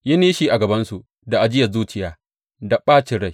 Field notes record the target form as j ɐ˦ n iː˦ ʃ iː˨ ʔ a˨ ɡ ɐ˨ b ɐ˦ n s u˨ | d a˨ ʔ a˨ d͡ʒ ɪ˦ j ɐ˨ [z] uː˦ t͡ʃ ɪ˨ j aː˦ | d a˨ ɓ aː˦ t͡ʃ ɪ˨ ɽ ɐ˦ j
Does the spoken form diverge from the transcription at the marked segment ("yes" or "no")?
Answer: no